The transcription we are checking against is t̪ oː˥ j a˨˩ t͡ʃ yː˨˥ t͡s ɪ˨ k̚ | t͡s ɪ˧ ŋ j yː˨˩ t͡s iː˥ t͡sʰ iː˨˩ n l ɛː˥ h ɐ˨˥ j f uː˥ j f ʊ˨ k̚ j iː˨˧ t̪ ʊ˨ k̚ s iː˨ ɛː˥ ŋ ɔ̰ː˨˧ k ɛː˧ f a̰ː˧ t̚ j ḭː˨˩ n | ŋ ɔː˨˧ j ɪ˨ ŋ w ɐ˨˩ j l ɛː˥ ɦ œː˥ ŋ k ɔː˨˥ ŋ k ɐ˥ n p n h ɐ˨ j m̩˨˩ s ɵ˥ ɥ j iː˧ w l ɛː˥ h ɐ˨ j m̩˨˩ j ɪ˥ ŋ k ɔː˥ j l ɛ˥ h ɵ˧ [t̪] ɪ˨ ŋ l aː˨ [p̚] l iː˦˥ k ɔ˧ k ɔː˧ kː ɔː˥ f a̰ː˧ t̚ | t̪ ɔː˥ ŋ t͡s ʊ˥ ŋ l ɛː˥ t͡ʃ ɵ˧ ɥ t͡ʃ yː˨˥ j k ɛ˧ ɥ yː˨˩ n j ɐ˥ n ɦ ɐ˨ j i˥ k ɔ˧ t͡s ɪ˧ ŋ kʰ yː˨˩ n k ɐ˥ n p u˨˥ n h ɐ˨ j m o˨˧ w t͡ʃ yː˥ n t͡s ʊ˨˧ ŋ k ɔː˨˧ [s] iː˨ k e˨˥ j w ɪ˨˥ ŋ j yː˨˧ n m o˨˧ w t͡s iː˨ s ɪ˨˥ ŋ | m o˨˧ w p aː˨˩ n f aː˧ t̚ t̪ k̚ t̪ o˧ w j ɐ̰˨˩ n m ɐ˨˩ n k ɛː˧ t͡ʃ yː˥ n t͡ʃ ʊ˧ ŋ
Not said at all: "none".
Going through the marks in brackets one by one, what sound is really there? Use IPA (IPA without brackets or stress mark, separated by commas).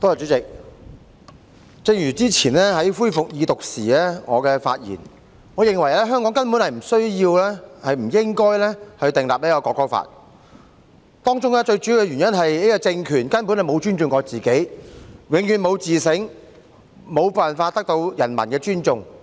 t̪, p̚, t͡s